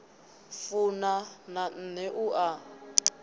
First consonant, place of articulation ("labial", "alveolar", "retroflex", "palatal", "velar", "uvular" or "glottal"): labial